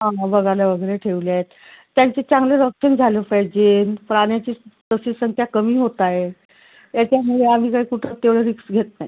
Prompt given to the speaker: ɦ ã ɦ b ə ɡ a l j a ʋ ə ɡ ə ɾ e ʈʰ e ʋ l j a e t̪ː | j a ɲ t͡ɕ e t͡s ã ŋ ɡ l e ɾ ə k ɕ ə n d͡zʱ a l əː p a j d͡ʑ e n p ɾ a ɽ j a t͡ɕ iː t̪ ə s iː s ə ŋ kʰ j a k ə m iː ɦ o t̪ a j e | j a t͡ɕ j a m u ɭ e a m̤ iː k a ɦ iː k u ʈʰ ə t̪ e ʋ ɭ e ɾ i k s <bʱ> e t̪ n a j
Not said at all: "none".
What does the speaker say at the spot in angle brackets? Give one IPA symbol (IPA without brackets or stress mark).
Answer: ɡʱ